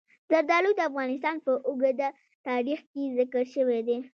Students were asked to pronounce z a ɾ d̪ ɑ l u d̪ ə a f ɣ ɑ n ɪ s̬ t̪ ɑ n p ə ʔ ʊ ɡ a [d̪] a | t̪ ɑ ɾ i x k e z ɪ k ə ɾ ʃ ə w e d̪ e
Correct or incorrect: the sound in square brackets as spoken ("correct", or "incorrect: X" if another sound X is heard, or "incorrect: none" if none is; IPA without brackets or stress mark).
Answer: correct